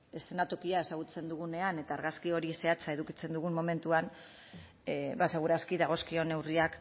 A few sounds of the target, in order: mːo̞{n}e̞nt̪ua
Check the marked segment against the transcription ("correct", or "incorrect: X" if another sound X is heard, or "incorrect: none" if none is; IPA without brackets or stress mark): incorrect: m